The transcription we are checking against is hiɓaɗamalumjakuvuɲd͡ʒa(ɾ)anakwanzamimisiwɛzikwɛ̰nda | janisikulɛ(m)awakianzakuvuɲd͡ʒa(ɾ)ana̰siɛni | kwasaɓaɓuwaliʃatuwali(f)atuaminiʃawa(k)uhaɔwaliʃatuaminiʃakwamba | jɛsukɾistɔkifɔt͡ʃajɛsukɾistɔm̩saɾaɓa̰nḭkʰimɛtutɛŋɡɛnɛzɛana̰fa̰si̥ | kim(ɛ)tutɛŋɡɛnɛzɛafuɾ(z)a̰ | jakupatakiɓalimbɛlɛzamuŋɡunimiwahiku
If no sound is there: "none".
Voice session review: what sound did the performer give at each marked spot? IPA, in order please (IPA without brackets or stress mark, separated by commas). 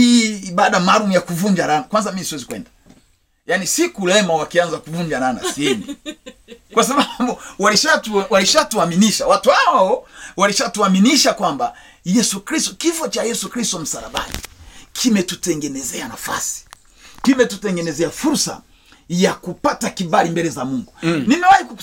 ɾ, m, ɾ, ʃ, t, ɛ, s